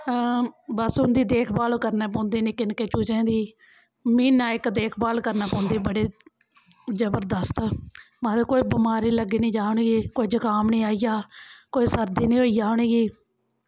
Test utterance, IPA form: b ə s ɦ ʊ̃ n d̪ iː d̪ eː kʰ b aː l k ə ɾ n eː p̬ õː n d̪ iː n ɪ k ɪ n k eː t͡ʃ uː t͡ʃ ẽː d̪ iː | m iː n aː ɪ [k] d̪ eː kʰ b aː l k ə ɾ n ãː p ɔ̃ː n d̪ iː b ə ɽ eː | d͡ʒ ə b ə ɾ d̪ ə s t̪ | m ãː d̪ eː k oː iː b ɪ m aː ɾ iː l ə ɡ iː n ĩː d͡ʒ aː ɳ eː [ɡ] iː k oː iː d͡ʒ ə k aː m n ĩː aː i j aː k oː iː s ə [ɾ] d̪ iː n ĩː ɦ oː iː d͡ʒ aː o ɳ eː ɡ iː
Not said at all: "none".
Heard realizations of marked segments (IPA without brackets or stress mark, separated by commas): k, ɡ, ɾ